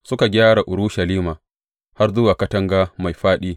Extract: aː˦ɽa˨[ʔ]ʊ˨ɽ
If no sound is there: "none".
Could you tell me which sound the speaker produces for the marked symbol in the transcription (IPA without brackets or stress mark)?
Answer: ʔ